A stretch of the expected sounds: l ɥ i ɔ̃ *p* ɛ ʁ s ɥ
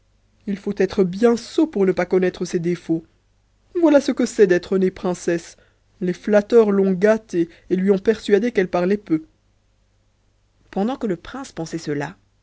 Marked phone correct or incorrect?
correct